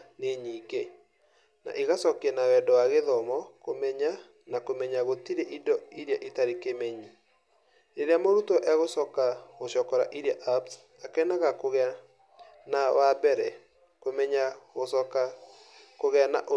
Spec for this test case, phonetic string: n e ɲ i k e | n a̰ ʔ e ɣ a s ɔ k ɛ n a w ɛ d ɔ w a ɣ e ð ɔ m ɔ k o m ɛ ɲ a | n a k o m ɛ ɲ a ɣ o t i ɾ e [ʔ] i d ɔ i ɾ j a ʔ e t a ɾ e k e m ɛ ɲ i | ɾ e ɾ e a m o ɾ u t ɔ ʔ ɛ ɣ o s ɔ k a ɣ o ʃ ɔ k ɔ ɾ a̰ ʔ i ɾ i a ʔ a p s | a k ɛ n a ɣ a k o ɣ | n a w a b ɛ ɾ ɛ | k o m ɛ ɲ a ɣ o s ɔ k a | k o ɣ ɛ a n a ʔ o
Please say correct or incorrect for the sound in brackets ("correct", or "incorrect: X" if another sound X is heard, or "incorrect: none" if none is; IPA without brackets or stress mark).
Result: correct